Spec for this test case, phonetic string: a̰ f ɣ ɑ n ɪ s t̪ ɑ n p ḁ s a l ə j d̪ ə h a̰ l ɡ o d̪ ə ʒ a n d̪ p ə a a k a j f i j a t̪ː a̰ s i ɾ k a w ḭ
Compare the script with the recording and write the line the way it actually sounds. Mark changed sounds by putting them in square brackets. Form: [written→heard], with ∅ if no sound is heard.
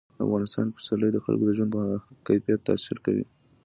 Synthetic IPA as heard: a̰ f ɣ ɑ n ɪ s t̪ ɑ n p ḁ s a l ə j d̪ ə [h→x] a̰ l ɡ o d̪ ə ʒ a n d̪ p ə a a k a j f i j a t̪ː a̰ s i ɾ k a w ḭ